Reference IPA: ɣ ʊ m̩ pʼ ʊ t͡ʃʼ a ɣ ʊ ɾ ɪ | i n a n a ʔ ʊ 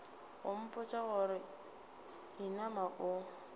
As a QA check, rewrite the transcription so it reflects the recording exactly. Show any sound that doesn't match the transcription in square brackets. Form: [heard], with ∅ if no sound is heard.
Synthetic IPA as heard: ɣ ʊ m̩ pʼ ʊ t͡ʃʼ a ɣ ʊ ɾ ɪ | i n a [m] a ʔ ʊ